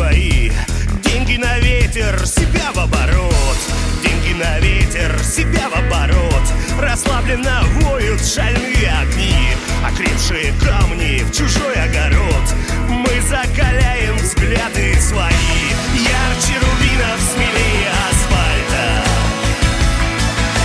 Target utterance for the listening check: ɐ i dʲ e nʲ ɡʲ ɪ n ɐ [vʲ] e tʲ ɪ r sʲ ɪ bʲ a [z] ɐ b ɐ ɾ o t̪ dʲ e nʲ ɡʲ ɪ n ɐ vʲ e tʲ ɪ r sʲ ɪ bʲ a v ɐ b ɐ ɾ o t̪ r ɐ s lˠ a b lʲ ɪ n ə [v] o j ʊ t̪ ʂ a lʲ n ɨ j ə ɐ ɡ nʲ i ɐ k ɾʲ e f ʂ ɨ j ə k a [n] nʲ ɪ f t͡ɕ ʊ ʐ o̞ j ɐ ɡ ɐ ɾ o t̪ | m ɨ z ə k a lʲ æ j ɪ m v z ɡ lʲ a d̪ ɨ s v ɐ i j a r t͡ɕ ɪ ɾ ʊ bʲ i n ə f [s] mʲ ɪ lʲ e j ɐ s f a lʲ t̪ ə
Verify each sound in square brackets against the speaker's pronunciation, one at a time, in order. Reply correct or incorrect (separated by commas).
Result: correct, incorrect, correct, incorrect, correct